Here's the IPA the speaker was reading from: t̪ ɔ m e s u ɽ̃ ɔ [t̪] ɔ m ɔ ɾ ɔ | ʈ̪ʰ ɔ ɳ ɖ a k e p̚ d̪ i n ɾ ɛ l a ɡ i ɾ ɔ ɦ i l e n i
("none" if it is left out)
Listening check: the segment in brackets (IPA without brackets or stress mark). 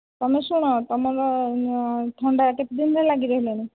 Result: t̪